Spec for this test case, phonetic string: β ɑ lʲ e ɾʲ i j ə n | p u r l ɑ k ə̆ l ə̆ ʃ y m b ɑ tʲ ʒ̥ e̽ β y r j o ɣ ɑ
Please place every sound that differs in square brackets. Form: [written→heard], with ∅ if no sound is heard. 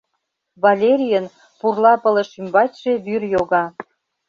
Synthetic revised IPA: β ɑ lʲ e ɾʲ i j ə n | p u r l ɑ [k→p] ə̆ l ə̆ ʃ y m b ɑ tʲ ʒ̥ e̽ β y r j o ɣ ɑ